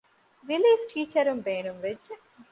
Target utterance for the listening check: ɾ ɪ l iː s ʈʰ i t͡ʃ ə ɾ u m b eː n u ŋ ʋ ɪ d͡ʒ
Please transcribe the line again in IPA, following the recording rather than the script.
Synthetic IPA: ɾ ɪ l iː f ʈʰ iː t͡ʃ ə ɾ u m b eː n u m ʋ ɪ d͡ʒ